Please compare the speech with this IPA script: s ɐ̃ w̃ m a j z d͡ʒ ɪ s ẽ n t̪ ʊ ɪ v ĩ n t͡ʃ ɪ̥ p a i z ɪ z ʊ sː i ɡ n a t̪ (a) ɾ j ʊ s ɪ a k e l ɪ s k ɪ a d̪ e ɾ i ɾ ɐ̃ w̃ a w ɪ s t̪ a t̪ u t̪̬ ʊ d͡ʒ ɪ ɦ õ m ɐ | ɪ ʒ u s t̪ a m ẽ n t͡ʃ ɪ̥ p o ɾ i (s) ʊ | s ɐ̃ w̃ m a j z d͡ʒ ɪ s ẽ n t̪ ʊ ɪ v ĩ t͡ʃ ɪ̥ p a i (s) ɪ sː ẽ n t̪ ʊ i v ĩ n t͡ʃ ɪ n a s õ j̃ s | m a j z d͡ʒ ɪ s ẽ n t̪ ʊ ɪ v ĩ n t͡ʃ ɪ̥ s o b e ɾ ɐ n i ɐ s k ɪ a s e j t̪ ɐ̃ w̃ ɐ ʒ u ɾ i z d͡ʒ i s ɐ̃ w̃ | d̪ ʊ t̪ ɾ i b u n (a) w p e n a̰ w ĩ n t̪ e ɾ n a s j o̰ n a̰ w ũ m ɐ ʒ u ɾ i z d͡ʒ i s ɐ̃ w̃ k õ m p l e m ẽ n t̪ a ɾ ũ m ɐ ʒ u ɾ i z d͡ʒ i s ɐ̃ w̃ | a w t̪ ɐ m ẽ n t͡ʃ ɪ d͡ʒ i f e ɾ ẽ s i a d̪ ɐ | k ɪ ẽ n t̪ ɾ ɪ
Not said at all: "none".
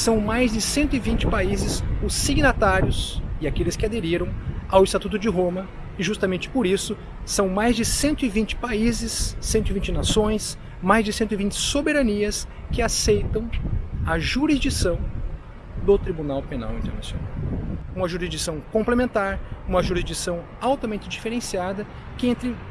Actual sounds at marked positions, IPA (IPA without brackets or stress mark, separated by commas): a, s, z, a